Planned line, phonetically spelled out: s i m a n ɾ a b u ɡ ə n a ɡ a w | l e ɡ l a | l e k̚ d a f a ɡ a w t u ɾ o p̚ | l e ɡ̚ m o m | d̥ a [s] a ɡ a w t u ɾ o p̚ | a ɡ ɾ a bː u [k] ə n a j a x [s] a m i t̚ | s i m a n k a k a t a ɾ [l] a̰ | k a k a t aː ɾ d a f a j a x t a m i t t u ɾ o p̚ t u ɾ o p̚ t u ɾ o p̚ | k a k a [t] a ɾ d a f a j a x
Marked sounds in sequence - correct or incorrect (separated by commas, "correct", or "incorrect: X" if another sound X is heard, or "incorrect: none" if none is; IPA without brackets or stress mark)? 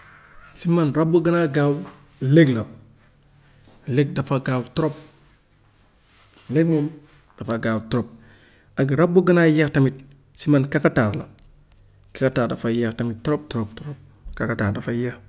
incorrect: f, incorrect: ɡ, incorrect: t, correct, correct